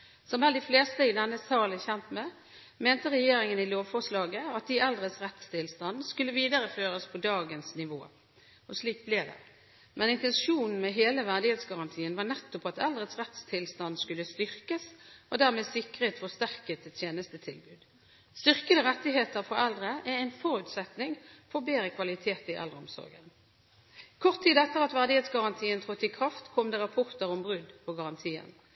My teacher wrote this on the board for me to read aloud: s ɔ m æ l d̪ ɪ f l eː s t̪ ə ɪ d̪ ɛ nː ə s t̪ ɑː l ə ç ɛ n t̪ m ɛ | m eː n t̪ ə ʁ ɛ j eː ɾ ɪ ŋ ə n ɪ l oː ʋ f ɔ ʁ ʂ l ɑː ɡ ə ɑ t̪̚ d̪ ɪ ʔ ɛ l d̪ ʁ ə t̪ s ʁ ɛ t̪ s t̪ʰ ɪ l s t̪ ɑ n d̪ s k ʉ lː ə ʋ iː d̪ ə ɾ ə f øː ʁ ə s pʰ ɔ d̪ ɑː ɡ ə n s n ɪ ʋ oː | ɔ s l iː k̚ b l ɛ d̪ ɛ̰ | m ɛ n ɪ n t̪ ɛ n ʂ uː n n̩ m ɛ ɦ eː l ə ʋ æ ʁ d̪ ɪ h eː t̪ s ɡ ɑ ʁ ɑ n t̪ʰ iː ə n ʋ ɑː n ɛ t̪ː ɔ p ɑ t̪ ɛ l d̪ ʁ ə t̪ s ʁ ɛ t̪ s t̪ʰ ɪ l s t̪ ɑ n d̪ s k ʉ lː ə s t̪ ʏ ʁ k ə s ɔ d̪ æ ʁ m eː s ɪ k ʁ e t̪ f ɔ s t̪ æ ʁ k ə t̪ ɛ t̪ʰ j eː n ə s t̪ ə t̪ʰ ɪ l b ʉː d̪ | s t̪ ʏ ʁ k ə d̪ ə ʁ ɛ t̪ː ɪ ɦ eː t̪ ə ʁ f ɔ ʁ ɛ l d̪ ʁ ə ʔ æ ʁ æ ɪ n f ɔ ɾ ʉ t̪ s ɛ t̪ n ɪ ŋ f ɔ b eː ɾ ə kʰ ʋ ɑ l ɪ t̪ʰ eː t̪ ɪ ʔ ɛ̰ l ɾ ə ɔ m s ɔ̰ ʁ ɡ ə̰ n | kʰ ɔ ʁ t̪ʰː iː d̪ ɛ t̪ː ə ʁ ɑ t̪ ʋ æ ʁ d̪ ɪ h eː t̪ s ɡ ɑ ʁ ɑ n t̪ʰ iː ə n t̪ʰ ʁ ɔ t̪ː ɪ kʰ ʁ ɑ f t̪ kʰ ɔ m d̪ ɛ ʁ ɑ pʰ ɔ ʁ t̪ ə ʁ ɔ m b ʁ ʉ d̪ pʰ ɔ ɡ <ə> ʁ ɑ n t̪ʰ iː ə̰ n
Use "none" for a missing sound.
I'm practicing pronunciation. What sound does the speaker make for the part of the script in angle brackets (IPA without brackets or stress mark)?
ɑ